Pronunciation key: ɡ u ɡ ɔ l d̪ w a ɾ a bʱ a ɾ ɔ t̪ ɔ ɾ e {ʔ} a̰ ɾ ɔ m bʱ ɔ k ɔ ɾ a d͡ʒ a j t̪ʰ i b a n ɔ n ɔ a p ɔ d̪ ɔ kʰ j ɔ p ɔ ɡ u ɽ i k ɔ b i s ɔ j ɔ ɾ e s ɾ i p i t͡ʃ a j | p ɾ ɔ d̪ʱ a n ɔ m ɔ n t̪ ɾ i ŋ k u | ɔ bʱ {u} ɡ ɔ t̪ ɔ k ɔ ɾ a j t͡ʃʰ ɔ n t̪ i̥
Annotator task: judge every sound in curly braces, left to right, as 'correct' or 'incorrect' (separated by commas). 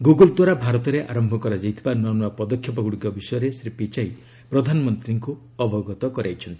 correct, incorrect